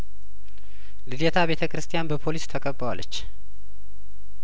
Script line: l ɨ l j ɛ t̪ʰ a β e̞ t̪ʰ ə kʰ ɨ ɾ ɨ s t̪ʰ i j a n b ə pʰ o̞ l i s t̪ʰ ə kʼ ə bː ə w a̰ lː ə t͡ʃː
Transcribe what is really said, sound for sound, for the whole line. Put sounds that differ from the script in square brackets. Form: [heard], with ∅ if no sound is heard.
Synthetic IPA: l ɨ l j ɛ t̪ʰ a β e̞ t̪ʰ ə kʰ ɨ ɾ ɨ s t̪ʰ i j a n b ə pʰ o̞ l i s t̪ʰ ə kʼ ə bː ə w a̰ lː ə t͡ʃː